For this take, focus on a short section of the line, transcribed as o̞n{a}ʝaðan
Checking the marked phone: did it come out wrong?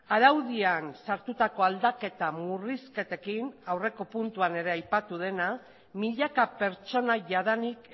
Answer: no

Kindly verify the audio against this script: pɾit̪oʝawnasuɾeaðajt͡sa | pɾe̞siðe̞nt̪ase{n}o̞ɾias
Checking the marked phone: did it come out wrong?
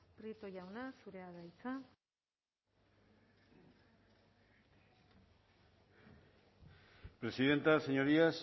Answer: yes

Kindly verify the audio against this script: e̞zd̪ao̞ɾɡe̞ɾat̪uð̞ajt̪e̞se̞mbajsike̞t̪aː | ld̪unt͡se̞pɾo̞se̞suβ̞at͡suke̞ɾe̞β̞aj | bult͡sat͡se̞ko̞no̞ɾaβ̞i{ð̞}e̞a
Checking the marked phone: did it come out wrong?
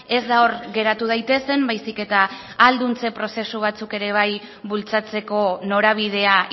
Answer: no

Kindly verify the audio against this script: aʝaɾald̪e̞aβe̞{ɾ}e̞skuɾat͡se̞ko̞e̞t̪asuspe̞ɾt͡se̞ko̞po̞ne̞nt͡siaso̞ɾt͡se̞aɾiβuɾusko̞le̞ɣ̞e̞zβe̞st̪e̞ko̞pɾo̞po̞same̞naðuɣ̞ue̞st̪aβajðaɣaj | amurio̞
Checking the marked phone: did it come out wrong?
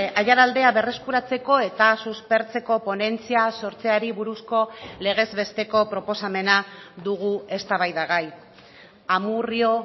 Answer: yes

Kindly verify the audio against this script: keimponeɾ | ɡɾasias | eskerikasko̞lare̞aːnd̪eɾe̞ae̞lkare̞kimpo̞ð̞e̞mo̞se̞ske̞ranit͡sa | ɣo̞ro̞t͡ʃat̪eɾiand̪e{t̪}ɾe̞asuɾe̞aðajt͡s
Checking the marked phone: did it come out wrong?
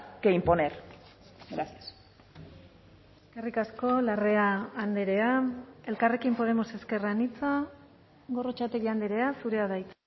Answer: yes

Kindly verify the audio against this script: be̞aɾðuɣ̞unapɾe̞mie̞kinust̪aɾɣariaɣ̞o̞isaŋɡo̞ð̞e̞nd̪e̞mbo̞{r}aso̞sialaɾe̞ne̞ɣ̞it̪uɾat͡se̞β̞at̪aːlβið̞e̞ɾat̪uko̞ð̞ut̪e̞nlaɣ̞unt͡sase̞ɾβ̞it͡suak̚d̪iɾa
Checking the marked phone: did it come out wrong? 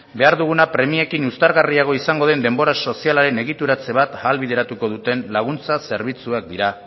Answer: yes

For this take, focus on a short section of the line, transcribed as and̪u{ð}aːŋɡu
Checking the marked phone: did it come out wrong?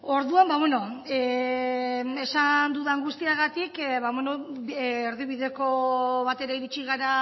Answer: no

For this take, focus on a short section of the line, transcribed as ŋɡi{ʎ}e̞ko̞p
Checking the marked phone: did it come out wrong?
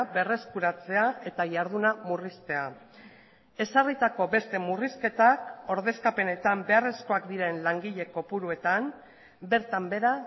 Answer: no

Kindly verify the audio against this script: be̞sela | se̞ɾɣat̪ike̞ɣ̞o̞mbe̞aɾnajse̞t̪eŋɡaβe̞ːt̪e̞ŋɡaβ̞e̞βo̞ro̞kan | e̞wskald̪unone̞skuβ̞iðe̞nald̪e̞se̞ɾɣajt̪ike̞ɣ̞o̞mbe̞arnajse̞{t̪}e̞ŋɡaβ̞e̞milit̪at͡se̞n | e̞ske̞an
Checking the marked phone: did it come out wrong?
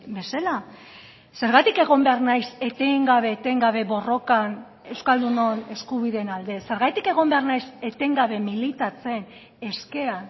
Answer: no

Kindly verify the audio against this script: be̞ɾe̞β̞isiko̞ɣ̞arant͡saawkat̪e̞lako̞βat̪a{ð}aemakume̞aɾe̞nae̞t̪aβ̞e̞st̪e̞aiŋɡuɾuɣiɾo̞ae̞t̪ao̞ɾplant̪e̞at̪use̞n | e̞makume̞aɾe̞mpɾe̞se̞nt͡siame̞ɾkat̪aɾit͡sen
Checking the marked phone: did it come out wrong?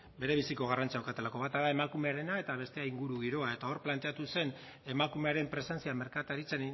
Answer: no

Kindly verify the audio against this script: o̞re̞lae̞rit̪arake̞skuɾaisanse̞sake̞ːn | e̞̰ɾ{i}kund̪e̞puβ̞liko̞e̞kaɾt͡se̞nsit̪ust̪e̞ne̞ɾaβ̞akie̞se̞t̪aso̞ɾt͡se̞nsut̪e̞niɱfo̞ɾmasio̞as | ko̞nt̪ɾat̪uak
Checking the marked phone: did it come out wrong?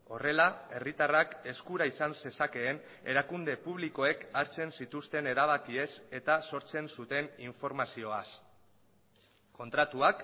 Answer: yes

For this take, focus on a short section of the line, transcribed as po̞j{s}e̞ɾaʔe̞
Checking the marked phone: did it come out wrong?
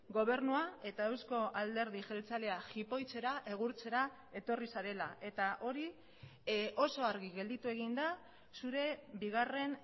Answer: yes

